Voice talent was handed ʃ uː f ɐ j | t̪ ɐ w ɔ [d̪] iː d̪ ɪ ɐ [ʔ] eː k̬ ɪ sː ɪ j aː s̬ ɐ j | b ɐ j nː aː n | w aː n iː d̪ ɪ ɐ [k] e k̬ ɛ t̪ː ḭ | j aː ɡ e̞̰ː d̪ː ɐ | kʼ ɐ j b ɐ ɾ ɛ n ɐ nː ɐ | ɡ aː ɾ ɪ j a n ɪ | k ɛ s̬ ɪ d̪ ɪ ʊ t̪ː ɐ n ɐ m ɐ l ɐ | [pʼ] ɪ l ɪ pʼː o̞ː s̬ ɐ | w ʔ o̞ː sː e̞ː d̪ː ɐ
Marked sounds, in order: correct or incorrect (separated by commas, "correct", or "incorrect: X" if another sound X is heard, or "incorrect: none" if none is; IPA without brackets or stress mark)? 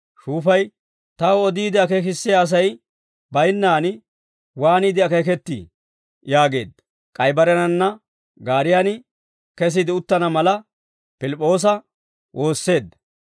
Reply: correct, incorrect: k, correct, incorrect: p